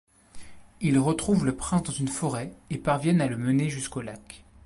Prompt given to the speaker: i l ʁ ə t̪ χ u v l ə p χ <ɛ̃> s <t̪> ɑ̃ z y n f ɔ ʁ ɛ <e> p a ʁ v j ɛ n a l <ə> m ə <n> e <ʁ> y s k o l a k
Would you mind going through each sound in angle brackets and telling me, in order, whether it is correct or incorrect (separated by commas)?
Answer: correct, incorrect, correct, correct, correct, incorrect